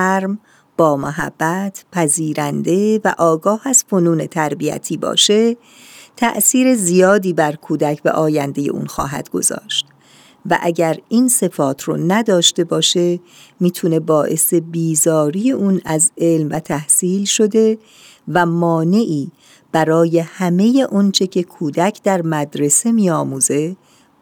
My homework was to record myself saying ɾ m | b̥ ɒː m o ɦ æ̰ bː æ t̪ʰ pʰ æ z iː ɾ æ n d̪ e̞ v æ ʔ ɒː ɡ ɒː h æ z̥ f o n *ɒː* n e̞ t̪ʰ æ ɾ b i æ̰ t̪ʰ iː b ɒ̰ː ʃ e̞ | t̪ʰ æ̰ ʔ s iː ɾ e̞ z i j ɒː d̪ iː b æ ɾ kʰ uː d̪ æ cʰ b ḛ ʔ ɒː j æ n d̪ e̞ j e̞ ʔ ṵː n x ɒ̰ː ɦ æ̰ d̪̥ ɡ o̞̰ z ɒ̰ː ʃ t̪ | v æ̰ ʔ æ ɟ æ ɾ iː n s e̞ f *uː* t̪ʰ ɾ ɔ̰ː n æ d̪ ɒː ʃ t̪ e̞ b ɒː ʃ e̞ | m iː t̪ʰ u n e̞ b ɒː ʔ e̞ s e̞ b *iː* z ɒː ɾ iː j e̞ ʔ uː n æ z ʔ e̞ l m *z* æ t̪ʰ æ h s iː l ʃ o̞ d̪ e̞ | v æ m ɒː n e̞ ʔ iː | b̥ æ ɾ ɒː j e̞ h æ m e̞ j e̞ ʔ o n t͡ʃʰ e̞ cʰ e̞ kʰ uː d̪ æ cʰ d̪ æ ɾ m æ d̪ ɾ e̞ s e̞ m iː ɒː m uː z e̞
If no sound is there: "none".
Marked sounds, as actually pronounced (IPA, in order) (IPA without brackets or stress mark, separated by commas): uː, ɒː, iː, v